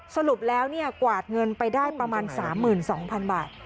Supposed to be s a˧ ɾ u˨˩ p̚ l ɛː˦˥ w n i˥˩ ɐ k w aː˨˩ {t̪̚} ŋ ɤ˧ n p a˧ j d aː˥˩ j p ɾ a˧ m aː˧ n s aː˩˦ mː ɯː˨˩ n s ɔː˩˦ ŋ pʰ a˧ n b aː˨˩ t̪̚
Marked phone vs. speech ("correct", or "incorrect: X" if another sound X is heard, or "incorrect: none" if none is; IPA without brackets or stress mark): correct